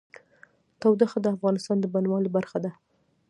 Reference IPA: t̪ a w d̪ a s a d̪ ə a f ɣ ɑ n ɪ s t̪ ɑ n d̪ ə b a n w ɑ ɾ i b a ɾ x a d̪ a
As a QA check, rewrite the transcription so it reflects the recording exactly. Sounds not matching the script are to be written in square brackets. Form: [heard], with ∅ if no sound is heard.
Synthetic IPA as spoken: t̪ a w d̪ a [x] a d̪ ə a f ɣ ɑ n ɪ s t̪ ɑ n d̪ ə b a n w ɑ [l] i b a ɾ x a d̪ a